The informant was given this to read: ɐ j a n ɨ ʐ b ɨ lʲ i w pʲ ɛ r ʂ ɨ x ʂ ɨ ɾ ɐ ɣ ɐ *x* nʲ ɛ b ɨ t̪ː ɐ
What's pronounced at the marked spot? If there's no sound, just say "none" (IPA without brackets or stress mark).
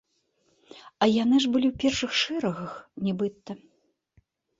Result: x